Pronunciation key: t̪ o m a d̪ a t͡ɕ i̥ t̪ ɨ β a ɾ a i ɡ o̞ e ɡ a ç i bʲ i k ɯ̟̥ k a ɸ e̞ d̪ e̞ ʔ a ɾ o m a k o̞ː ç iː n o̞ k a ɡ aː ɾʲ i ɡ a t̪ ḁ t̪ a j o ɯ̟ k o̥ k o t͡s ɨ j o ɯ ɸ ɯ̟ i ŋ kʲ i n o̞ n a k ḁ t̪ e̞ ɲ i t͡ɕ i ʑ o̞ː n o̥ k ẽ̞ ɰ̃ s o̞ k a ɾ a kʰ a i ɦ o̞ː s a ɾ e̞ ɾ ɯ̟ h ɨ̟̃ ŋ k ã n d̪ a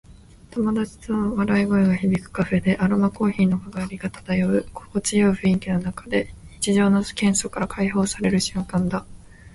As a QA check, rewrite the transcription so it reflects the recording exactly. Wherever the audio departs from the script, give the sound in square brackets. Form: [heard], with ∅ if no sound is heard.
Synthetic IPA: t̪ o m a d̪ a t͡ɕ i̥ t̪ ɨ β a ɾ a i ɡ o̞ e ɡ a ç i bʲ i k ɯ̟̥ k a ɸ e̞ d̪ e̞ ʔ a ɾ o m a k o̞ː ç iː n o̞ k a ɡ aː ɾʲ i ɡ a t̪ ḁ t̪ a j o ɯ̟ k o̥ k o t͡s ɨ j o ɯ ɸ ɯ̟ i ŋ kʲ i n o̞ n a k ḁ [d̪] e̞ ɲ i t͡ɕ i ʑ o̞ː n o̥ k ẽ̞ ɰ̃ s o̞ k a ɾ a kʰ a i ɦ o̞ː s a ɾ e̞ ɾ ɯ̟ [ɕ] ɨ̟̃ ŋ k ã n d̪ a